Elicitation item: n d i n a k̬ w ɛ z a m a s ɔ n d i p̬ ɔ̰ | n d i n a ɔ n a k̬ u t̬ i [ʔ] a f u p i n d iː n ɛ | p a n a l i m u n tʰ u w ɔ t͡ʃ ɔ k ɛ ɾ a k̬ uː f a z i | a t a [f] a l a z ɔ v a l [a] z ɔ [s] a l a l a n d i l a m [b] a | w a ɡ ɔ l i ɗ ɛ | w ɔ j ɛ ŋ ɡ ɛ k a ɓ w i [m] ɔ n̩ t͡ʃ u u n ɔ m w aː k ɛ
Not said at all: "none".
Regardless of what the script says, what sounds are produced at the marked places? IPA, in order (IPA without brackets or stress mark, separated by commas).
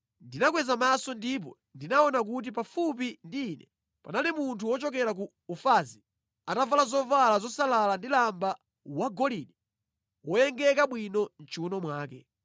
p, v, a, s, b, n